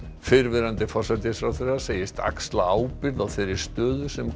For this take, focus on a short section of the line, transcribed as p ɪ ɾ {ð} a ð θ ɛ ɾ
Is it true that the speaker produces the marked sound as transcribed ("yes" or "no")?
yes